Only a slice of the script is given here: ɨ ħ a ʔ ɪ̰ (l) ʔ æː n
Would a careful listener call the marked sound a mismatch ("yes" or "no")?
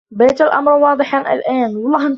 no